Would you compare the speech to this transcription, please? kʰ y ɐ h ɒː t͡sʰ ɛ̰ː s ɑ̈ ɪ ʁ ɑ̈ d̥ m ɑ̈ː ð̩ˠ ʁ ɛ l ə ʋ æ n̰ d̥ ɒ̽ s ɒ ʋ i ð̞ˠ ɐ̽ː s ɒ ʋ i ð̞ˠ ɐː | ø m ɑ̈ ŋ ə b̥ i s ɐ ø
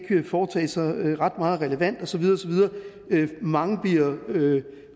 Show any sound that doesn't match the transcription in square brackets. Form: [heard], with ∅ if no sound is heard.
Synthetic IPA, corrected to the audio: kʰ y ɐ [f] ɒː t͡sʰ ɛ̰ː s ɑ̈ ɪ ʁ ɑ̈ d̥ m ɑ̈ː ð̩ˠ ʁ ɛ l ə ʋ æ n̰ d̥ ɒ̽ s ɒ ʋ i ð̞ˠ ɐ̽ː s ɒ ʋ i ð̞ˠ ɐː | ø m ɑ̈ ŋ ə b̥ i [∅] ɐ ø